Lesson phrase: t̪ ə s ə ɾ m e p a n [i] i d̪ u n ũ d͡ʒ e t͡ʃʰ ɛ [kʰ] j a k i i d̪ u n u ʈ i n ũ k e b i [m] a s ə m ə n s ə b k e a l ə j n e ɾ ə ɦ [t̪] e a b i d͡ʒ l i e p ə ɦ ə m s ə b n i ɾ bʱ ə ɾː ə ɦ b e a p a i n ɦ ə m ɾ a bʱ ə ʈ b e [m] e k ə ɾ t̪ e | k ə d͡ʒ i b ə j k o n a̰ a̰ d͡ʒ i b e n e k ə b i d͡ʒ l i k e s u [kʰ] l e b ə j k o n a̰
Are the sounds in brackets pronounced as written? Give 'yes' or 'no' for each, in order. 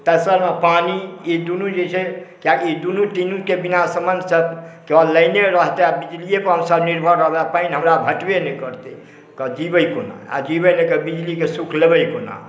yes, no, no, yes, no, yes

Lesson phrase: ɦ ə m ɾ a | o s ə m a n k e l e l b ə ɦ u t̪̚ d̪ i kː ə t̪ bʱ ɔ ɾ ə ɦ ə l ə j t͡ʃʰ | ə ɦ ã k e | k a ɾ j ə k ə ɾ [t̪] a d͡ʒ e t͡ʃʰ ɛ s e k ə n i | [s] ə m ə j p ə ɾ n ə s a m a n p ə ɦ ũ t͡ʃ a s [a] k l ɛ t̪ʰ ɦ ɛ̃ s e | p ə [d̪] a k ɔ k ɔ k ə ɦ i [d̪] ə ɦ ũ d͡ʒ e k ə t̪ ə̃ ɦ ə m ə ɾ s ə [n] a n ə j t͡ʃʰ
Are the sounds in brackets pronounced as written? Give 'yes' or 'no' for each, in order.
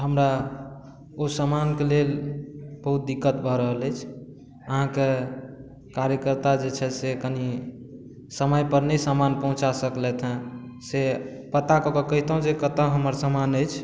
yes, yes, no, no, no, no

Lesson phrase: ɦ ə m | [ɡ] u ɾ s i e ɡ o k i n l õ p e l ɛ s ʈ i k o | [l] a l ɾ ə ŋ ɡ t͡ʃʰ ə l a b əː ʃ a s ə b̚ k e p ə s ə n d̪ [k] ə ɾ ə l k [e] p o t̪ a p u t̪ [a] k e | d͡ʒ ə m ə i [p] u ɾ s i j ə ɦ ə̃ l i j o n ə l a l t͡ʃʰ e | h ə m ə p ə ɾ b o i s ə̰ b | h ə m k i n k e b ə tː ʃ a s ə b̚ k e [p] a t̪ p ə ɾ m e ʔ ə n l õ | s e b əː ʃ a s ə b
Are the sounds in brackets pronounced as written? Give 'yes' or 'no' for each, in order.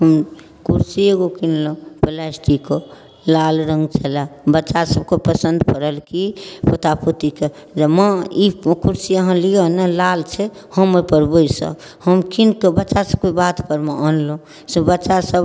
no, yes, no, no, no, no, no

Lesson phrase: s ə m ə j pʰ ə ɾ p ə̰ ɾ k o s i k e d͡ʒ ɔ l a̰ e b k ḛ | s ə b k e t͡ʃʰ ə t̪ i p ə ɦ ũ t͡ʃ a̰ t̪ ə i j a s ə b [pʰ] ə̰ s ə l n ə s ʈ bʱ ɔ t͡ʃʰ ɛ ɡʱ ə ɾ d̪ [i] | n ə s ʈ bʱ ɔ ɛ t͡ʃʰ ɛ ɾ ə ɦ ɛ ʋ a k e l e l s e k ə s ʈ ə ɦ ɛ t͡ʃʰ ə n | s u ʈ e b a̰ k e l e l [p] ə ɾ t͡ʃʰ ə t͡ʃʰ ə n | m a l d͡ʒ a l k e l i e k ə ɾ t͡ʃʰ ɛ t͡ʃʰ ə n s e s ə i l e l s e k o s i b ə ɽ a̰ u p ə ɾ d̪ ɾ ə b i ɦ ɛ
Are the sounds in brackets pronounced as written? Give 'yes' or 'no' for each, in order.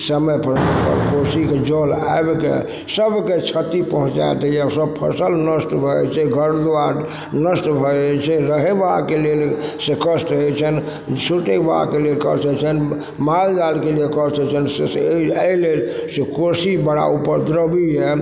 yes, no, no

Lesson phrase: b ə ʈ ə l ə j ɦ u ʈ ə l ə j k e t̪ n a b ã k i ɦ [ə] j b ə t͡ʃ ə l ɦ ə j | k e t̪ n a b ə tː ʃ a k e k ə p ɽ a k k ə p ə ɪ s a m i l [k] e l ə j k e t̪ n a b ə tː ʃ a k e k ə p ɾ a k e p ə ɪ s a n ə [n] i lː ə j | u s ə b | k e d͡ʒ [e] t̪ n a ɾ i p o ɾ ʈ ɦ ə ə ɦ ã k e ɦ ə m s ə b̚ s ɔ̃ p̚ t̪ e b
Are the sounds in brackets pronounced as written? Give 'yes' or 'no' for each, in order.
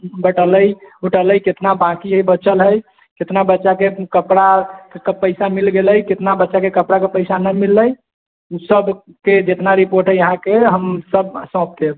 yes, no, no, yes

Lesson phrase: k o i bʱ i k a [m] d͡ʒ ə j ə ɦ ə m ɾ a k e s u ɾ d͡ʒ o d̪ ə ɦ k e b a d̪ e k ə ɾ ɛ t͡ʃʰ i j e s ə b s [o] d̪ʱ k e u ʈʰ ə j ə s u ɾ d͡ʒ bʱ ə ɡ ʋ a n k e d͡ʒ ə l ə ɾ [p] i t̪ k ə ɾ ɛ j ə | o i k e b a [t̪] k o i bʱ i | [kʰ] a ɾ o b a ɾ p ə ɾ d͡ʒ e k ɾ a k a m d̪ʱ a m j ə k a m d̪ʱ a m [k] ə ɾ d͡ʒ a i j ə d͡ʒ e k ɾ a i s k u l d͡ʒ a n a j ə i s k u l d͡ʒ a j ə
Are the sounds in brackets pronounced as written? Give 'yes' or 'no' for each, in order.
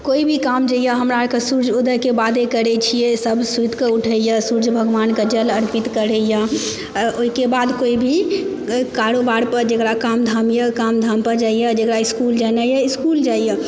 yes, no, yes, no, no, no

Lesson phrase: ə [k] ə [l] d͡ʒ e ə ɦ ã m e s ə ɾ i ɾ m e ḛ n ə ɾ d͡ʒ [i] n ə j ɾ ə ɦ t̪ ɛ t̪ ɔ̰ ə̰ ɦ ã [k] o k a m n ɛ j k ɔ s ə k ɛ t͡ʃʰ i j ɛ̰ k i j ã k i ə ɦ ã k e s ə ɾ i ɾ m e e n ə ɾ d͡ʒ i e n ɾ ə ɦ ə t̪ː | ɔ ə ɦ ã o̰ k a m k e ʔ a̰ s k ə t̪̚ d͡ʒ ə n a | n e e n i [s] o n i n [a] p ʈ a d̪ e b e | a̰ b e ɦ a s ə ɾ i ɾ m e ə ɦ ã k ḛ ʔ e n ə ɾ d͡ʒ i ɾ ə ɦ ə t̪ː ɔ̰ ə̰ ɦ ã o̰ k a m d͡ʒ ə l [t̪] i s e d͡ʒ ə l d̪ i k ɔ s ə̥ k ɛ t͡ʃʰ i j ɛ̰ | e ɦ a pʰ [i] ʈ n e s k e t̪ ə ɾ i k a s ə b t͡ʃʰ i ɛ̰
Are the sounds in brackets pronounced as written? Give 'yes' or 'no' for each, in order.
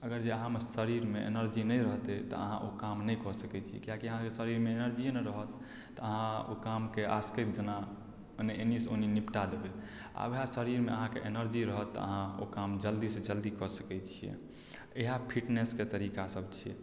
no, no, yes, no, yes, no, no, yes

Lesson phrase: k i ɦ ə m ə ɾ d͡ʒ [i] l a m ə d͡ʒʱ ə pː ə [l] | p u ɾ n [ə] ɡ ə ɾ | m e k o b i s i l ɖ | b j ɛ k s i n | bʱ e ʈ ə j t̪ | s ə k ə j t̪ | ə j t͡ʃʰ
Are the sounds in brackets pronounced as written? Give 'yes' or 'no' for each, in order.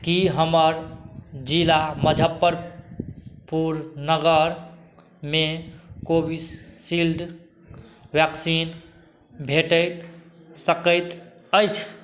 yes, no, yes

